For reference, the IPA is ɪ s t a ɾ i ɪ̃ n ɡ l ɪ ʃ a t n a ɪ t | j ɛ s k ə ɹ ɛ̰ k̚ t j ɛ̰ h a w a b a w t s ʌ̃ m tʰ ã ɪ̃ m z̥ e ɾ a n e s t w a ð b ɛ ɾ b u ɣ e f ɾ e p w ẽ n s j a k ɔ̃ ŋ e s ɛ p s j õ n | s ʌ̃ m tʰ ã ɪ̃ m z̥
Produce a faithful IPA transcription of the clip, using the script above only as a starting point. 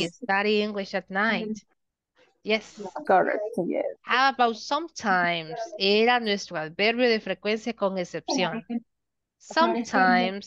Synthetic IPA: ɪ s t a ɾ i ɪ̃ ŋ ɡ l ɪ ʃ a t n a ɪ t | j ɛ s k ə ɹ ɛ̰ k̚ t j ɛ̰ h a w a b a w t s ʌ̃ m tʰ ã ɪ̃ m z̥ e ɾ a n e s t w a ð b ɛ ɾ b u ð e f ɾ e k w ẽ n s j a k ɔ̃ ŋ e s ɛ p s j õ n | s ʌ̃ m tʰ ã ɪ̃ m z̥